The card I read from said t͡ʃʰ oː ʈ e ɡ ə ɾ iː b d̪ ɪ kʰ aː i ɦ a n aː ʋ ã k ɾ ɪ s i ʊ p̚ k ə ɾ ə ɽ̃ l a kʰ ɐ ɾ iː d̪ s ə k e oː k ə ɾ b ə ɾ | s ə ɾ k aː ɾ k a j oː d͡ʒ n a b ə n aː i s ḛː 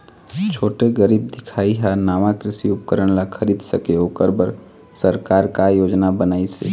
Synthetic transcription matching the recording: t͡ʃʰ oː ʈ e ɡ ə ɾ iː b d̪ ɪ kʰ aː i ɦ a n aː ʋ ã k ɾ ɪ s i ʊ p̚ k ə ɾ ə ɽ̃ l a kʰ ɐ ɾ iː d̪ s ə k e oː k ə ɾ b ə ɾ | s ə ɾ k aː ɾ k a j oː d͡ʒ n a b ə n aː i s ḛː